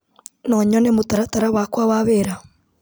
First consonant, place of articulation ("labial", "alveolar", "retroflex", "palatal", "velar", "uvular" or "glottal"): alveolar